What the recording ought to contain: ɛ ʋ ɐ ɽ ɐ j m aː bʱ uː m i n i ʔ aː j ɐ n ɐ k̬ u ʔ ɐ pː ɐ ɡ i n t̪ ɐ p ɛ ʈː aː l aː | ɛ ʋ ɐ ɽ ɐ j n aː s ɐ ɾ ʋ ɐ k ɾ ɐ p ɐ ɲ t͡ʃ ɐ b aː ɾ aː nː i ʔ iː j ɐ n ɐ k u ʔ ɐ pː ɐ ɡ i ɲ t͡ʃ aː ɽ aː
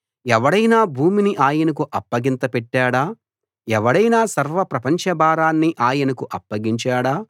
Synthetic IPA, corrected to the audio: ɛ ʋ ɐ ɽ ɐ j n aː bʱ uː m i n i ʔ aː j ɐ n ɐ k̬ u ʔ ɐ pː ɐ ɡ i n t̪ ɐ p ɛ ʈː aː ɽ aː | ɛ ʋ ɐ ɽ ɐ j n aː s ɐ ɾ ʋ ɐ p ɾ ɐ p ɐ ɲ t͡ʃ ɐ b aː ɾ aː nː i ʔ aː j ɐ n ɐ k u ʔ ɐ pː ɐ ɡ i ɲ t͡ʃ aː ɽ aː